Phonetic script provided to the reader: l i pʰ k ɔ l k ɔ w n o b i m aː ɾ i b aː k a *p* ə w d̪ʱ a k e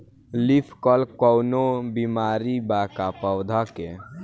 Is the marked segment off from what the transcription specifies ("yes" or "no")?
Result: no